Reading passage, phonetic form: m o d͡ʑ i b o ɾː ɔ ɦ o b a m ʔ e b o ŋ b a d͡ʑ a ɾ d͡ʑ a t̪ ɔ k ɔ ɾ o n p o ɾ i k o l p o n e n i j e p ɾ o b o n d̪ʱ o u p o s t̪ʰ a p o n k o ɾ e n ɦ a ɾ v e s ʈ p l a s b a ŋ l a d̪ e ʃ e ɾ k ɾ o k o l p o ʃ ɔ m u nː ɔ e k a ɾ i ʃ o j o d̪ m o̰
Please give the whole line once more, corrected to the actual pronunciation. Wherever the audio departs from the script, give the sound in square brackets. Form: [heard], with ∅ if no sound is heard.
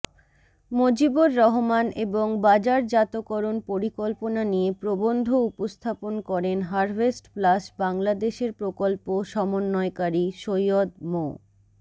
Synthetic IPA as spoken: m o d͡ʑ i b o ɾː ɔ ɦ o [m] a [n] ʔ e b o ŋ b a d͡ʑ a ɾ d͡ʑ a t̪ [o] k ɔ ɾ o n p o ɾ i k o l p o n [a] n i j e p ɾ o b o n d̪ʱ o u p o s t̪ʰ a p o n k [ɔ] ɾ e n ɦ a ɾ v e s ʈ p l a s b a ŋ l a d̪ e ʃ e ɾ [p] ɾ o k o l p o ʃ ɔ m [o] nː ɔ e k a ɾ i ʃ o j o d̪ m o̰